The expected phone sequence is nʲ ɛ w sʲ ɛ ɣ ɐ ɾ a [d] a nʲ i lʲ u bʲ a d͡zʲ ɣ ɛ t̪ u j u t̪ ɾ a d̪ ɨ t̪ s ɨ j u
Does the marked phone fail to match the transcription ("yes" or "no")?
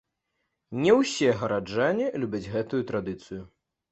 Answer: yes